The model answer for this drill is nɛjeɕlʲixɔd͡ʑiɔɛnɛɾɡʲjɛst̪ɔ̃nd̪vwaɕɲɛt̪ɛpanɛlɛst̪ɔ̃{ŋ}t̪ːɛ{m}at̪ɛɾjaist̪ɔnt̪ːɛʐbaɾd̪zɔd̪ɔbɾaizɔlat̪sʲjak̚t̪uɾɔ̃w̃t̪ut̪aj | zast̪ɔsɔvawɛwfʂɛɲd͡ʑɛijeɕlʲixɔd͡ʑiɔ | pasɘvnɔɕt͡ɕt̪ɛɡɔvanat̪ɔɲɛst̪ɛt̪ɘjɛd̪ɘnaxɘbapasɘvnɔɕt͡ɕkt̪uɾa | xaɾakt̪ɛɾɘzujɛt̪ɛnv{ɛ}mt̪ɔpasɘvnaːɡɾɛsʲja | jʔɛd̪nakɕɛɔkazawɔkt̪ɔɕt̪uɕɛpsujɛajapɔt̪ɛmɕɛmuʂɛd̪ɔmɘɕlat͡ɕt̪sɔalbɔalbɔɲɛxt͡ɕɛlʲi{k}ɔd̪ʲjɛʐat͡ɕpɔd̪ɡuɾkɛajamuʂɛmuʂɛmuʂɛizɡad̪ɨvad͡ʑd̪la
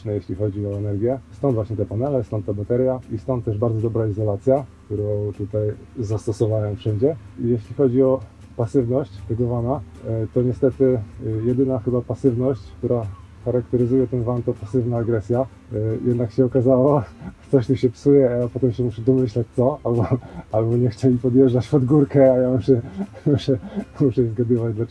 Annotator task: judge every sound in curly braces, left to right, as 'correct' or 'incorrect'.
incorrect: n, incorrect: b, incorrect: a, incorrect: p

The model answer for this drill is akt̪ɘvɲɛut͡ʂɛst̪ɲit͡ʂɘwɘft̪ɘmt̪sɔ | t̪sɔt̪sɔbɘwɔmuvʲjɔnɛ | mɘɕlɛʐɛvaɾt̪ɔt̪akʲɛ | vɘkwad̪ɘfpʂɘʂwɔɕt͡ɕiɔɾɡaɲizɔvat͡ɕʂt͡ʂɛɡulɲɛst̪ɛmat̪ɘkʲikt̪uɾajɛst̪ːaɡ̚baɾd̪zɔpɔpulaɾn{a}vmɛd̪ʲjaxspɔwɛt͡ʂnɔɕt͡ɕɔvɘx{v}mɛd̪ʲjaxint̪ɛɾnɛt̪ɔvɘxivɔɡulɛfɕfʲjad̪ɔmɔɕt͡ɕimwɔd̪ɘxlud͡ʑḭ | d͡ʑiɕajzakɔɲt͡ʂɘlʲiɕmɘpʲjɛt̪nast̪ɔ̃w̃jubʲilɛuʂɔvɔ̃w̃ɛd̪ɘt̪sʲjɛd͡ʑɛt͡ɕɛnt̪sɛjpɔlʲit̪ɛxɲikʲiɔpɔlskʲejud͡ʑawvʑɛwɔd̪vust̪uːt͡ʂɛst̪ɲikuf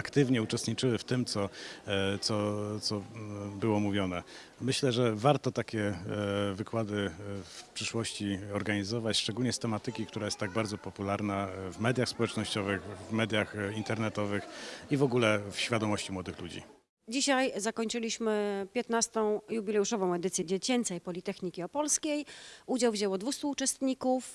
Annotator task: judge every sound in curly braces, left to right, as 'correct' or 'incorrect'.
correct, correct

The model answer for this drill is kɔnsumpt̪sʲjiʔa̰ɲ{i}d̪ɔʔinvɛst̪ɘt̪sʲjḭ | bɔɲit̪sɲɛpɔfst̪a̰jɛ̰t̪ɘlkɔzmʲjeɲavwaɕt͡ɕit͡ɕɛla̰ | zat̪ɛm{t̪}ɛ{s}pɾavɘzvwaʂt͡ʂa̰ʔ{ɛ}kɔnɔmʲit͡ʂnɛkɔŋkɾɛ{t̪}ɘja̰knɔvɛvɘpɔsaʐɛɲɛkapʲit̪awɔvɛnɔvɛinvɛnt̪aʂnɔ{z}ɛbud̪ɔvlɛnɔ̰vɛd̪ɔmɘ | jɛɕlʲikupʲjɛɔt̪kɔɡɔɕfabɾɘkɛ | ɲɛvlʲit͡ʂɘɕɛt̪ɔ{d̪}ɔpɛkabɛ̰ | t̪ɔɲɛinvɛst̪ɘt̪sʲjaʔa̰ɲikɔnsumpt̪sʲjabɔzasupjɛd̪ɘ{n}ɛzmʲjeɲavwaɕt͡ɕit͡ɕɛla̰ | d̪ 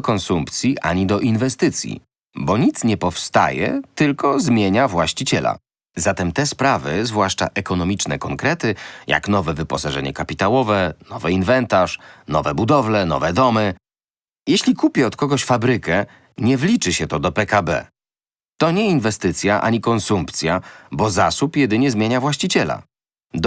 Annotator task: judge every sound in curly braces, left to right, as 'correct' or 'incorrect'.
correct, correct, correct, correct, correct, incorrect: v, correct, incorrect: ɲ

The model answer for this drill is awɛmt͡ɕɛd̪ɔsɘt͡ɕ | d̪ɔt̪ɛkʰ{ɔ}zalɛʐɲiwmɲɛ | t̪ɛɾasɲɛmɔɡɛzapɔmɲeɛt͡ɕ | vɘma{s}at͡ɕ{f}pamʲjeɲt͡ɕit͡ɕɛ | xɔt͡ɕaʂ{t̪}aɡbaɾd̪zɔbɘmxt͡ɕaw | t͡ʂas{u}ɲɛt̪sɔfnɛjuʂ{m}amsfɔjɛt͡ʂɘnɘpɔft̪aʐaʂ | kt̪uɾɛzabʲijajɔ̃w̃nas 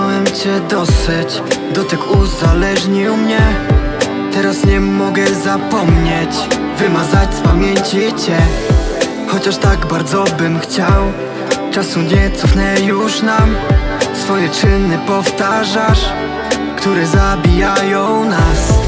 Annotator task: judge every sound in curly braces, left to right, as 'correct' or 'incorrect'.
incorrect: u, incorrect: z, incorrect: s, correct, correct, incorrect: n

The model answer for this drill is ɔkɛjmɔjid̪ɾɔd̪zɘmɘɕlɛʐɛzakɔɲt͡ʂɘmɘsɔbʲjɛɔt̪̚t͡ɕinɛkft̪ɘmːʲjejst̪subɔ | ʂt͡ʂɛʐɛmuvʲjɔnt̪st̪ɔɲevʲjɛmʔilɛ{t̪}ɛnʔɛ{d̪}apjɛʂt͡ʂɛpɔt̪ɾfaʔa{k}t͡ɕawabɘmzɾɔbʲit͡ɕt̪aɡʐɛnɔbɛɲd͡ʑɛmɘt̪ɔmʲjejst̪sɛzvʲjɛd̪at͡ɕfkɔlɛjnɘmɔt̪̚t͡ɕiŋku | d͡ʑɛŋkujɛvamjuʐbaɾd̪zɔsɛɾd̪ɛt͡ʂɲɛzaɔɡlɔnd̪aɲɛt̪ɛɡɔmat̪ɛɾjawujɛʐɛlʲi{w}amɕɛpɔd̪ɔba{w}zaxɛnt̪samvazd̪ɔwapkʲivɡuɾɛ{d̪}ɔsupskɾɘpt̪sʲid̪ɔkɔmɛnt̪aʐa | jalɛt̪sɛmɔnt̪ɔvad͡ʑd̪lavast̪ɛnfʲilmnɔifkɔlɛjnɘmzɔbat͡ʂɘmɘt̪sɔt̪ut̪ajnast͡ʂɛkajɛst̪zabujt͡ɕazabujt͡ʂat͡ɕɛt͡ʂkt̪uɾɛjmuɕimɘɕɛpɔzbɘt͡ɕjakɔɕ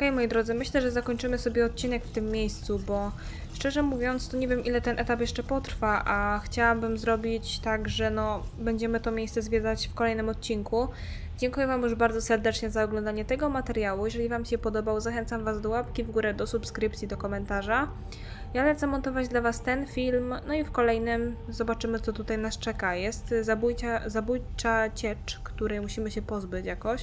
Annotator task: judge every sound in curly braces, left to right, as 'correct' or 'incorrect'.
correct, incorrect: t̪, incorrect: x, incorrect: v, correct, correct

